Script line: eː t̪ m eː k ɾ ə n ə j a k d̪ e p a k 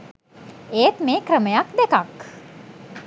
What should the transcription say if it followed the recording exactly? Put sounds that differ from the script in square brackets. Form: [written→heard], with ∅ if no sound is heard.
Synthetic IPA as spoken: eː t̪ m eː k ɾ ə [n→m] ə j a k d̪ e [p→k] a k